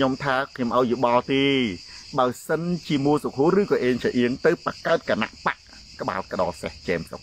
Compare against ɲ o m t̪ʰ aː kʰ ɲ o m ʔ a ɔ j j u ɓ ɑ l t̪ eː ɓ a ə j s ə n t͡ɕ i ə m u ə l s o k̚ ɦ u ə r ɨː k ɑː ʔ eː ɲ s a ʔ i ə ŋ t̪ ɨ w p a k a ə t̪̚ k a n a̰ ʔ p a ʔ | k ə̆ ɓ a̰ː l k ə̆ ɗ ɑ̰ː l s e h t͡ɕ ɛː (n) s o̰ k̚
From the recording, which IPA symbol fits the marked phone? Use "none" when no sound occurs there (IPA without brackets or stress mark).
m